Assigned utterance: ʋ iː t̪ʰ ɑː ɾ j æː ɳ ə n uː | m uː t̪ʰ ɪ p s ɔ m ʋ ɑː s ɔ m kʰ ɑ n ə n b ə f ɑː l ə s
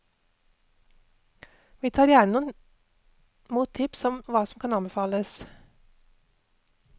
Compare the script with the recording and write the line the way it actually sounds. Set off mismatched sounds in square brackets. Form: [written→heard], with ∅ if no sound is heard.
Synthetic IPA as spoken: ʋ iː t̪ʰ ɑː ɾ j æː ɳ ə n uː | m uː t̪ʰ ɪ p s ɔ m ʋ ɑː s ɔ m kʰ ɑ n [ə→ɑ] n b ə f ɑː l ə s